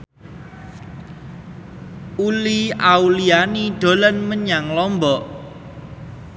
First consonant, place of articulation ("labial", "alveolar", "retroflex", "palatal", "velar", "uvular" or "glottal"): alveolar